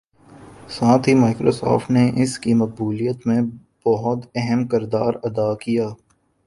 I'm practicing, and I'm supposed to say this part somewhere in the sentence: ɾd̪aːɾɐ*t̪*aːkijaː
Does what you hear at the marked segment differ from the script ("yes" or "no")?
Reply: yes